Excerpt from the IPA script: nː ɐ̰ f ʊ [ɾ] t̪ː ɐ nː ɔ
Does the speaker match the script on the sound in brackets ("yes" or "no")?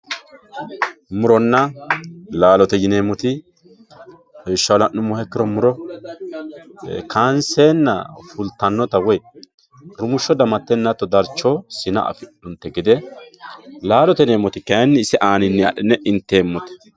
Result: no